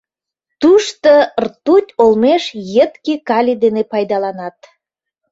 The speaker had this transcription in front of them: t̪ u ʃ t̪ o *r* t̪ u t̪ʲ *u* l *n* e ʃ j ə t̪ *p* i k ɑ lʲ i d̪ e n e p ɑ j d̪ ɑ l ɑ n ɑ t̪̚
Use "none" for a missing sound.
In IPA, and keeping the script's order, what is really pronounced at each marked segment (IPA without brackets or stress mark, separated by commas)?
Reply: r, o, m, k